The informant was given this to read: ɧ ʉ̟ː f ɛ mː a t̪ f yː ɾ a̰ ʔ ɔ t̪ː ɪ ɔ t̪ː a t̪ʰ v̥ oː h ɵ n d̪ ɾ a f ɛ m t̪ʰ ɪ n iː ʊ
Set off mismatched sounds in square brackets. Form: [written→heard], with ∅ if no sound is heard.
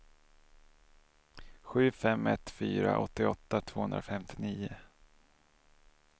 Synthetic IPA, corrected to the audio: ɧ ʉ̟ː f ɛ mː [a→ɛ] t̪ f yː ɾ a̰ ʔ ɔ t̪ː ɪ ɔ t̪ː a t̪ʰ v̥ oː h ɵ n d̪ ɾ a f ɛ m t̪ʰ ɪ n iː ʊ